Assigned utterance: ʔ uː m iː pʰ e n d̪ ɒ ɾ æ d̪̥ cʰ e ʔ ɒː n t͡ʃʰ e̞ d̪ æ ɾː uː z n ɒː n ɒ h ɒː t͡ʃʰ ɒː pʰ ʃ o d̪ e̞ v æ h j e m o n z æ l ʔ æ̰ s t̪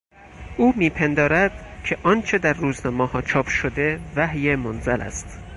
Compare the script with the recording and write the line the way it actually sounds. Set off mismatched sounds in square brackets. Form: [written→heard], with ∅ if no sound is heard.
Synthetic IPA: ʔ uː m iː pʰ e n d̪ [ɒ→ɒː] ɾ æ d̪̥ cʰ e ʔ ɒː n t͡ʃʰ e̞ d̪ æ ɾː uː z n ɒː [n→m] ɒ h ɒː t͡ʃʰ ɒː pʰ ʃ o d̪ e̞ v æ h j e m o n z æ l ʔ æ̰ s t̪